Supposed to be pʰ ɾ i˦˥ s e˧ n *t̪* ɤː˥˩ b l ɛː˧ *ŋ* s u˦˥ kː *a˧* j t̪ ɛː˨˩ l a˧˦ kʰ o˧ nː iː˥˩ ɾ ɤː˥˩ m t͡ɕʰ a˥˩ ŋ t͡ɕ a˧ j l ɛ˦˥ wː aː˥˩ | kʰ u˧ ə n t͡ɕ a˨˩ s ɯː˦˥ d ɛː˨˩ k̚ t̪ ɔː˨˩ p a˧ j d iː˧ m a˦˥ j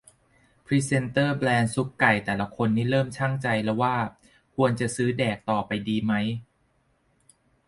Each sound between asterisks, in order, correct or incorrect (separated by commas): correct, incorrect, incorrect